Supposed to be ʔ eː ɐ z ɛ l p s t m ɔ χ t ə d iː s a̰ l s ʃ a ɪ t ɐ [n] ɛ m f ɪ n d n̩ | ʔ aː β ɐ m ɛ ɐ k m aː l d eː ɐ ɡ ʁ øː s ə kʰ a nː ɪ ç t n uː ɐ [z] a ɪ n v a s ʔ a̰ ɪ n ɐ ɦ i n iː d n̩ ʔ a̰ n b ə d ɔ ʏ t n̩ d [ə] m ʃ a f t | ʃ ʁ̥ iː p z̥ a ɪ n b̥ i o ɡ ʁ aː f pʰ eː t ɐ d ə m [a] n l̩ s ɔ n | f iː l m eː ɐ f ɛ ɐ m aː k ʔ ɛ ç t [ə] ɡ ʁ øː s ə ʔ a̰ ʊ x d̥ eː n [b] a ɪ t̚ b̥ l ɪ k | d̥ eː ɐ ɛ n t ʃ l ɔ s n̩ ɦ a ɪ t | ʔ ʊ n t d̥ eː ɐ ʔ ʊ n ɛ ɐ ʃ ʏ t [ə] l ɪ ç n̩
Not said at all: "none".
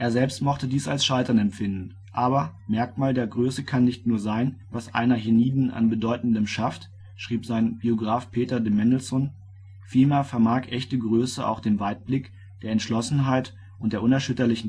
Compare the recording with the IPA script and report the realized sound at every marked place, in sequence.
n, z, ə, ɛ, ə, v, ɐ

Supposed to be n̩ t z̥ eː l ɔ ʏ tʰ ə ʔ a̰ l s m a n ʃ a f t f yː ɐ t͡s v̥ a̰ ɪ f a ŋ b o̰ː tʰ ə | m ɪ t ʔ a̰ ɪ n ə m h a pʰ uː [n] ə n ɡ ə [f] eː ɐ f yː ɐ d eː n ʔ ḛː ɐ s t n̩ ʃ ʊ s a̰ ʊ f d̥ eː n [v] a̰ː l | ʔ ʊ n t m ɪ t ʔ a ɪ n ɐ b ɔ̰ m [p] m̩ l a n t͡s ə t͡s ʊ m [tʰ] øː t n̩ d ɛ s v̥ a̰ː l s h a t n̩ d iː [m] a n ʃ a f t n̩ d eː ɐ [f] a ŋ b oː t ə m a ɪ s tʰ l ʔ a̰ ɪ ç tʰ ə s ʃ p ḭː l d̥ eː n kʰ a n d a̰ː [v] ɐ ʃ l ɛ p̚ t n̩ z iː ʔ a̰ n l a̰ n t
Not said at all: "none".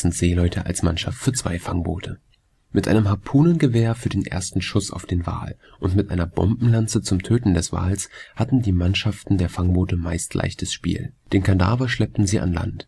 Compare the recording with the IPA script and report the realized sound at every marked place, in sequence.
n, v, v, b, tʰ, m, f, v

